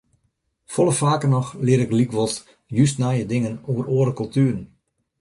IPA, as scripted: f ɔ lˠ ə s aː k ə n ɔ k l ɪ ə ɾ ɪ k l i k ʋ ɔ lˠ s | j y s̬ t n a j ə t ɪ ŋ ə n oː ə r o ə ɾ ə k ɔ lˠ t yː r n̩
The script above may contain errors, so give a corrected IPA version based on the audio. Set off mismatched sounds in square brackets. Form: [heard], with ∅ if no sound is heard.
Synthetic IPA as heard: f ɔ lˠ ə [f] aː k ə n ɔ [x] l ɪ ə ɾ ɪ k l i k ʋ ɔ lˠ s | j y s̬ t n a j ə [d] ɪ ŋ ə n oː ə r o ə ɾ ə k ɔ lˠ t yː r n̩